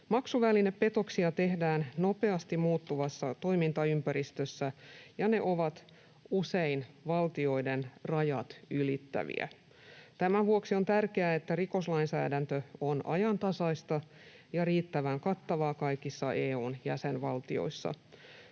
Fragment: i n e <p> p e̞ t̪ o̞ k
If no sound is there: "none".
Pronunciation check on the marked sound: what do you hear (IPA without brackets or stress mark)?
p